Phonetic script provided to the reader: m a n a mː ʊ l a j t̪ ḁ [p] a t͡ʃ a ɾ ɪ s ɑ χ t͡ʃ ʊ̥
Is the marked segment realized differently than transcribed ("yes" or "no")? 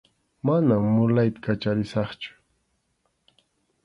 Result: yes